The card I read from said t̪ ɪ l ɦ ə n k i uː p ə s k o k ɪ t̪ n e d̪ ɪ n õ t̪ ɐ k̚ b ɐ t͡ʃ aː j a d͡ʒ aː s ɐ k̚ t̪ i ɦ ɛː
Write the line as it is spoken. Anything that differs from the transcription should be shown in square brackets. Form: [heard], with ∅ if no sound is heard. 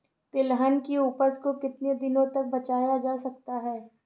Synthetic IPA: t̪ ɪ l ɦ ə n k i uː p ə s k o k ɪ t̪ n e d̪ ɪ n õ t̪ ɐ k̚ b ɐ t͡ʃ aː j a d͡ʒ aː s ɐ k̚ t̪ [a] ɦ ɛː